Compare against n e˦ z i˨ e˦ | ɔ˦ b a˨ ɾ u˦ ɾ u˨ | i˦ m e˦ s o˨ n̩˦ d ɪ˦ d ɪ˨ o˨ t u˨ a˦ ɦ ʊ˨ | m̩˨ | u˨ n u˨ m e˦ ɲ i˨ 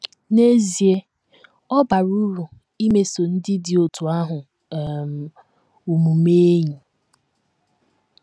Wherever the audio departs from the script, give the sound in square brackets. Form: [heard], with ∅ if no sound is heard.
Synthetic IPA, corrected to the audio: n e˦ z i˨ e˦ | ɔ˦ b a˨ ɾ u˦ ɾ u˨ | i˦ m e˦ s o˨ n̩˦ d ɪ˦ d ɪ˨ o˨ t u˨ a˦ ɦ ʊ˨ | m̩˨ | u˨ [m] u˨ m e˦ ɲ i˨